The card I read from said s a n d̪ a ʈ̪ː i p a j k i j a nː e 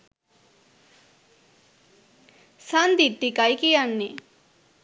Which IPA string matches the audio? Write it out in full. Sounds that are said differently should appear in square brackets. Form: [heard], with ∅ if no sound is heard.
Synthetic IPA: s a n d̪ [i] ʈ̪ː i [k] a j k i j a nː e

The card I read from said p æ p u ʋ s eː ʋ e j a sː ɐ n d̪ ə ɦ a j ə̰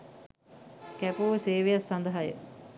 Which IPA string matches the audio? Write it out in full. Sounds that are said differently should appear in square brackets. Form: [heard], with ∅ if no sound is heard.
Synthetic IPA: [k] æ p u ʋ s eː ʋ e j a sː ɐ n d̪ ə ɦ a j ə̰

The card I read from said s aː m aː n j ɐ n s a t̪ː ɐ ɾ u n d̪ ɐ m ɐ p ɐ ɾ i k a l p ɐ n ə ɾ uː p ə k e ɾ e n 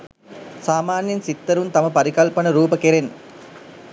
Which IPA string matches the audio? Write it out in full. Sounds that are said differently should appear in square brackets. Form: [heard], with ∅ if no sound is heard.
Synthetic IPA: s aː m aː n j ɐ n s [i] t̪ː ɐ ɾ u n [t̪] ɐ m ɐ p ɐ ɾ i k [ɐ] l p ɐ n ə ɾ uː p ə k e ɾ e n

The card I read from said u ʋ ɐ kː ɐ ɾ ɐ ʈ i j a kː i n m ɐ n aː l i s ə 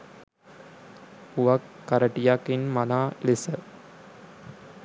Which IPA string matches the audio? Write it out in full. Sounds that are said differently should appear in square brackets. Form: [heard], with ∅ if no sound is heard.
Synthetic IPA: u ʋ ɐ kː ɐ ɾ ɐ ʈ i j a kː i n m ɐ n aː l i s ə

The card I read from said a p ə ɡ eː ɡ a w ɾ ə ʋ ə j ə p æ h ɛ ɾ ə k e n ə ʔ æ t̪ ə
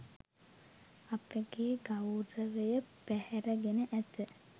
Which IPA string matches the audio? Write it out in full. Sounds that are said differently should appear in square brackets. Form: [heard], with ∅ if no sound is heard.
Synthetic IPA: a p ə ɡ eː ɡ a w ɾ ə ʋ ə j ə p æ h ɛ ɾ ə [ɡ] e n ə ʔ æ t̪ ə

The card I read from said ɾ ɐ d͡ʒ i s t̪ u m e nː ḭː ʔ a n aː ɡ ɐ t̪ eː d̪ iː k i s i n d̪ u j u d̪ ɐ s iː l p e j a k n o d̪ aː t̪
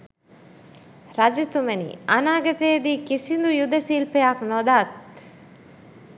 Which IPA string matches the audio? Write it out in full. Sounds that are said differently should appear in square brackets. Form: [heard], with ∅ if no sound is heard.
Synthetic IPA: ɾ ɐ d͡ʒ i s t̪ u m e [n] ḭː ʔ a n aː ɡ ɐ t̪ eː d̪ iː k i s i n d̪ u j u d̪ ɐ s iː l p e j a k n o d̪ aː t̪

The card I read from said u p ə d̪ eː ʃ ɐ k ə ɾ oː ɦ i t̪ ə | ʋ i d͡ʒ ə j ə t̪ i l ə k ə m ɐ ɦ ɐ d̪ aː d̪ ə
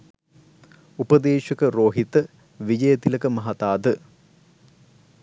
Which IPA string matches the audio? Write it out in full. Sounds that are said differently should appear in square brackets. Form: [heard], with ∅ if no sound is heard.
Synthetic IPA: u p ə d̪ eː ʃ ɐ k ə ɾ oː ɦ i t̪ ə | ʋ i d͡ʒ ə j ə t̪ i l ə k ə m ɐ ɦ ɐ [t̪] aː d̪ ə

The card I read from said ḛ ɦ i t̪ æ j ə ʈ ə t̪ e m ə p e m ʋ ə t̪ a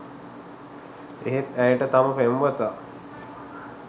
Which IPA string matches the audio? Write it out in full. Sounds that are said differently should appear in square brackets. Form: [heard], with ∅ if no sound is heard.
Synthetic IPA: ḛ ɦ [e] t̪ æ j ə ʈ ə t̪ [a] m ə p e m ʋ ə t̪ a

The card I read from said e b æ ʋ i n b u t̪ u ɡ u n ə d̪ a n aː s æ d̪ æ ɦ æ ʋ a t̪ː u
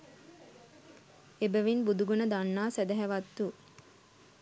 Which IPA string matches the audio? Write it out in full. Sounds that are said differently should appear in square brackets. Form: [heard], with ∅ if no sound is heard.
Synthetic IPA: e b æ ʋ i n b u [d̪] u ɡ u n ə d̪ a [nː] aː s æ d̪ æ ɦ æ ʋ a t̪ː u

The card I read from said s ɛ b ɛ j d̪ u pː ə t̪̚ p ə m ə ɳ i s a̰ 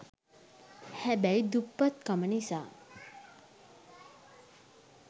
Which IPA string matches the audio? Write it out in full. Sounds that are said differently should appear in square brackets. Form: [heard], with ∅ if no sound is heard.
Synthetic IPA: [h] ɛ b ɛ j d̪ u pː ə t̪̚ [k] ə m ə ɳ i s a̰

